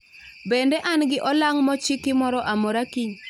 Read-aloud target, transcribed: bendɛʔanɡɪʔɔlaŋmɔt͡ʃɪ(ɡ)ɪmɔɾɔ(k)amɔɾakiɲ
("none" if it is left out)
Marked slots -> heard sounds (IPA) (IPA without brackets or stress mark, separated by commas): k, ʔ